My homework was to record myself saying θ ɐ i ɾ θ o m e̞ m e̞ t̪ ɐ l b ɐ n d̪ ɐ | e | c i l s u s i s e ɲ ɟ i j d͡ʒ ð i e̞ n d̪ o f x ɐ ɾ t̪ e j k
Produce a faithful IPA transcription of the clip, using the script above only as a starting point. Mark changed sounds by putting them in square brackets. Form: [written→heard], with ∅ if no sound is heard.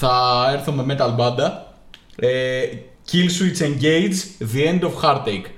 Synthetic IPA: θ ɐ [i→e] ɾ θ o m e̞ m e̞ t̪ ɐ l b ɐ n d̪ ɐ | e | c i l s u [s→∅] i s e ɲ ɟ [i→e] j d͡ʒ ð i e̞ n d̪ o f x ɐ ɾ t̪ e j k